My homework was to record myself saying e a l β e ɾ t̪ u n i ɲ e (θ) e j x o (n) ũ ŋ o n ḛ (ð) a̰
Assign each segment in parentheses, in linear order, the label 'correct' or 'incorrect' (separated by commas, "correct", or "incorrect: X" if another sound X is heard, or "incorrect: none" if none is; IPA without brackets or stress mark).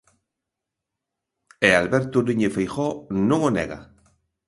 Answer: incorrect: f, correct, incorrect: ɣ